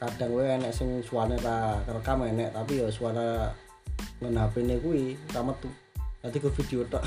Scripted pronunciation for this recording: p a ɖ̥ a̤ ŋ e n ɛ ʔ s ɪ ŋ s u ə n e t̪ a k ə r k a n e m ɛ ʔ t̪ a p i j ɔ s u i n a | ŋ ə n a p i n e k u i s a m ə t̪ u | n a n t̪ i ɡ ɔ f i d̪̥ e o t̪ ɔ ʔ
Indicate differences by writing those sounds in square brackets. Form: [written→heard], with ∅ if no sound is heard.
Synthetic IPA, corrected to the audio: [p→k] a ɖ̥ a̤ ŋ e n ɛ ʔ s ɪ ŋ s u [ə→a] n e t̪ a k ə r k a [n→m] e [m→n] ɛ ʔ t̪ a p i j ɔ s u [i→a] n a | ŋ ə n a p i n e k u i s a m ə t̪ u | n a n t̪ i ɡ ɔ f i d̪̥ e o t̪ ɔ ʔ